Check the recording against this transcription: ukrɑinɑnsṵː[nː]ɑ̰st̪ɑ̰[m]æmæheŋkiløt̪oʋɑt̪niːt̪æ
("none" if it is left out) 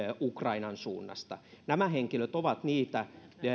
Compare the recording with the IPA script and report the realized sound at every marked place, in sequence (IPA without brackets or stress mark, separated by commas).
nː, n